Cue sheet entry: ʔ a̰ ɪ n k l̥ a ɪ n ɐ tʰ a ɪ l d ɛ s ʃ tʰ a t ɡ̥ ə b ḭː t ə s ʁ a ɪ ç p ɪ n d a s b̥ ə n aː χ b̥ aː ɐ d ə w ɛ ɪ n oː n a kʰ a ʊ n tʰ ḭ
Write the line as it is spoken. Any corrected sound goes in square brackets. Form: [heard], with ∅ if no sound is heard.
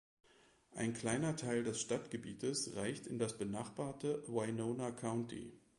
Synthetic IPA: ʔ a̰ ɪ n k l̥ a ɪ n ɐ tʰ a ɪ l d ɛ s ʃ [t] a t ɡ̥ ə b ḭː t ə s ʁ a ɪ ç [t] ɪ n d a s b̥ ə n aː χ b̥ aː ɐ [t] ə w [a] ɪ n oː n a kʰ a ʊ n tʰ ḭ